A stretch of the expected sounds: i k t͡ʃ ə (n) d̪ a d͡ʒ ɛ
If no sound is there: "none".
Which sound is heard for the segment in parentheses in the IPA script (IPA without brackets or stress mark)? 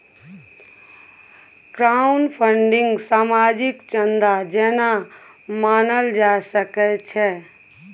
n